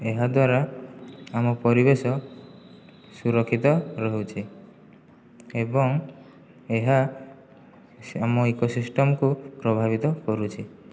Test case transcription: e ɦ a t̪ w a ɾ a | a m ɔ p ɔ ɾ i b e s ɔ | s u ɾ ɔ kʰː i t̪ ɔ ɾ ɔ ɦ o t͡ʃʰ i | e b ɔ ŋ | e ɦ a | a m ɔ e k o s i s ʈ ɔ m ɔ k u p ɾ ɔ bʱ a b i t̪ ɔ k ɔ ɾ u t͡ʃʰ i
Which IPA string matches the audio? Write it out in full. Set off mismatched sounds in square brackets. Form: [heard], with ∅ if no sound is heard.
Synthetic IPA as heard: e ɦ a [d̪] w a ɾ a | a m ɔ p ɔ ɾ i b e s ɔ | s u ɾ ɔ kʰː i t̪ ɔ ɾ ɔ ɦ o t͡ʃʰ i | e b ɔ ŋ | e ɦ a | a m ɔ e k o s i s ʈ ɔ m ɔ k u p ɾ ɔ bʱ a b i t̪ ɔ k ɔ ɾ u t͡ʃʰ i